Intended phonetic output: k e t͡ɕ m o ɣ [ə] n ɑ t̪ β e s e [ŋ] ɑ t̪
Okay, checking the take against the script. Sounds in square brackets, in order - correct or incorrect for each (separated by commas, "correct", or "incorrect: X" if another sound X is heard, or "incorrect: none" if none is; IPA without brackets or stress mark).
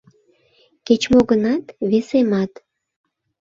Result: correct, incorrect: m